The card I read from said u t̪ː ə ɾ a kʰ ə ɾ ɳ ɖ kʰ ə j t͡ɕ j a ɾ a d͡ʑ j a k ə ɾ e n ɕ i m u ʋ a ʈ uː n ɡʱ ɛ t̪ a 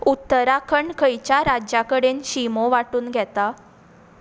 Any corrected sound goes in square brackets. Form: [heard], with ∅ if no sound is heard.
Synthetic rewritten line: u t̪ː ə ɾ a kʰ ə [∅] ɳ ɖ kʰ ə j t͡ɕ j a ɾ a d͡ʑ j a k ə [ɽ] e n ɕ i m [o] ʋ a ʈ uː n ɡʱ ɛ t̪ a

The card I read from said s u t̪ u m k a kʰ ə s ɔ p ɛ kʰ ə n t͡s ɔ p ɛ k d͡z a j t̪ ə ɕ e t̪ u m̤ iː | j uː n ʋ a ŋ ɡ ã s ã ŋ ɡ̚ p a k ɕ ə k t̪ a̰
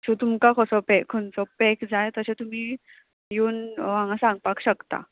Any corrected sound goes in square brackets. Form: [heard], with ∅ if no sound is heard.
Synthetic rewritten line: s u t̪ u m k a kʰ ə s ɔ p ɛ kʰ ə n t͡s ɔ p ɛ k d͡z a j t̪ ə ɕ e t̪ u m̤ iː | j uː n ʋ a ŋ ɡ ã s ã ŋ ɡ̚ p a k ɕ ə k t̪ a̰

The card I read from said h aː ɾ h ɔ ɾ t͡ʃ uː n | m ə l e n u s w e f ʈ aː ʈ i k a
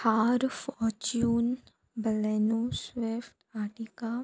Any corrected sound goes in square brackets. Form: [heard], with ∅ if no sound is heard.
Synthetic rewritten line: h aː ɾ [f] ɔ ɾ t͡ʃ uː n | [b] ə l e n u s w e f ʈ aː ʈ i k a

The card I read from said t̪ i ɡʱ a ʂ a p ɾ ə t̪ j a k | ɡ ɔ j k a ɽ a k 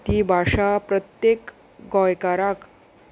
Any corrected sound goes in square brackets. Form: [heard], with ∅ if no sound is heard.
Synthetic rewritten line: t̪ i [bʱ] a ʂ a p ɾ ə t̪ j [e] k | ɡ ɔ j k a [ɾ] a k

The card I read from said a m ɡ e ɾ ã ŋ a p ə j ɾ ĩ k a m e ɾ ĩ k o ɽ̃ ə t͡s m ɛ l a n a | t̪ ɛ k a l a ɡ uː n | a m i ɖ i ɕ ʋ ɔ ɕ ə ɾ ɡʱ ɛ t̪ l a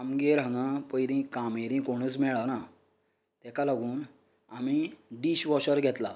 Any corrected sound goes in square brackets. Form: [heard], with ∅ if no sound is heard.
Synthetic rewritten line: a m ɡ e ɾ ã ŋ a p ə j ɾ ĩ k a m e ɾ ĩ k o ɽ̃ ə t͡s m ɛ [ɭ] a n a | t̪ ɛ k a l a ɡ uː n | a m i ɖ i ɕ ʋ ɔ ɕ ə ɾ ɡʱ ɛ t̪ l a

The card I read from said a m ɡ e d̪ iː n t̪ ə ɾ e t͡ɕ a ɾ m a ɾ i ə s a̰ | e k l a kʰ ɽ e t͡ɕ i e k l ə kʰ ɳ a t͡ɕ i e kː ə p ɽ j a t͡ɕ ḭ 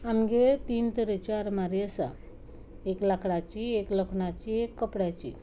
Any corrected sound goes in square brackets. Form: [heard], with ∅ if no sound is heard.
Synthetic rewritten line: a m ɡ e [t̪] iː n t̪ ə ɾ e t͡ɕ a ɾ m a ɾ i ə s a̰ | e k l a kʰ ɽ [a] t͡ɕ i e k l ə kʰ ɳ a t͡ɕ i e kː ə p ɽ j a t͡ɕ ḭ

